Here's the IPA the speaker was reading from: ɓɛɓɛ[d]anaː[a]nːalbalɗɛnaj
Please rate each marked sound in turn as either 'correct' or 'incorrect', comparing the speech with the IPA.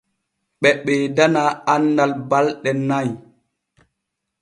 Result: correct, correct

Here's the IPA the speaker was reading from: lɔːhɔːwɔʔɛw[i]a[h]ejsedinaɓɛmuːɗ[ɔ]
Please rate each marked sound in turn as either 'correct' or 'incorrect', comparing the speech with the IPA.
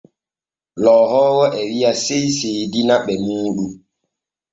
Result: correct, incorrect: s, incorrect: u

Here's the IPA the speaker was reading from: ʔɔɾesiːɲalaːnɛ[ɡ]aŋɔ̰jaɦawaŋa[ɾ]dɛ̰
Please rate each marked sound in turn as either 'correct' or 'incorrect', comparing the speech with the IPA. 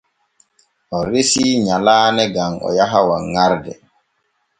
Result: correct, correct

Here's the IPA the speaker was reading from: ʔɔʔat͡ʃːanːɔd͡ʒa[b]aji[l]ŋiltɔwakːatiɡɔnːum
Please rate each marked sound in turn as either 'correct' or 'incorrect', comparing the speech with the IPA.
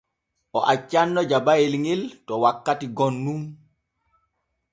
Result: correct, correct

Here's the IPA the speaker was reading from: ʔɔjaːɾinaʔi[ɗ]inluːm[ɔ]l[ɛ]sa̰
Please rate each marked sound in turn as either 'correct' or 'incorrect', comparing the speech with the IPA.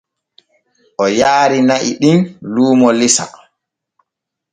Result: correct, correct, incorrect: i

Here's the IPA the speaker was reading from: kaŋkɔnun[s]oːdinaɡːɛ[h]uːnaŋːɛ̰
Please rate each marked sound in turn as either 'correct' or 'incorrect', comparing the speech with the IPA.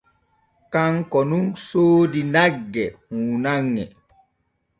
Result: correct, correct

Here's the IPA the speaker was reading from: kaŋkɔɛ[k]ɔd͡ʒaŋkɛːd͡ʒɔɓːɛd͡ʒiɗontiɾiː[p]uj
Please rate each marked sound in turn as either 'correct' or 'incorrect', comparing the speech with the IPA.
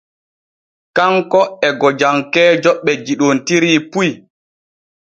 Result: incorrect: ɡ, correct

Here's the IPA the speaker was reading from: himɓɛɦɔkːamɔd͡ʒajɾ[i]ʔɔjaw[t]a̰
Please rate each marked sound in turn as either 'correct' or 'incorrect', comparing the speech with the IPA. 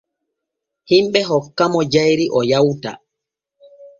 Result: correct, correct

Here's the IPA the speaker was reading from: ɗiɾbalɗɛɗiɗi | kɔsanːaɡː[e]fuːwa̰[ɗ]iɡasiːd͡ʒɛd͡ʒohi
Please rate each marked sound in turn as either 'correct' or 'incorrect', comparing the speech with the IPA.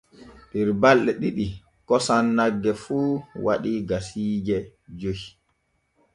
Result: incorrect: ɛ, correct

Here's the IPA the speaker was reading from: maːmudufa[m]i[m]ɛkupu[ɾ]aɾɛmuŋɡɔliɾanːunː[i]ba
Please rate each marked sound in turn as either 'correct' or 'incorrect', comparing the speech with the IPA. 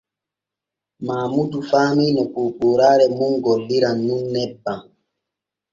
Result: correct, incorrect: n, correct, incorrect: ɛ

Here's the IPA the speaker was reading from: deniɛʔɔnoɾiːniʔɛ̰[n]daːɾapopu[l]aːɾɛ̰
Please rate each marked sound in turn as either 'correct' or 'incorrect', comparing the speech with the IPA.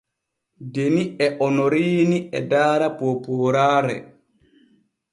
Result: incorrect: none, incorrect: ɾ

